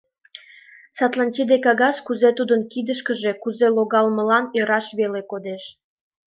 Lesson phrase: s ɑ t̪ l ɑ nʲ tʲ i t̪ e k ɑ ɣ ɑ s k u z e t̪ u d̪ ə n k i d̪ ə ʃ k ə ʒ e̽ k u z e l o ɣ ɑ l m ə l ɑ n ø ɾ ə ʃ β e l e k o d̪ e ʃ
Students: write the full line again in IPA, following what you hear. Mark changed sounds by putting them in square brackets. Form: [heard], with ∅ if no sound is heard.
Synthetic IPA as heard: s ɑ t̪ l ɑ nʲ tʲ i [d̪] e k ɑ ɣ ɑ s k u z e t̪ u d̪ ə n k i d̪ ə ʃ k ə ʒ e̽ k u z e l o ɣ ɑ l m ə l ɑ n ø ɾ [ɑ] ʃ β e l e k o d̪ e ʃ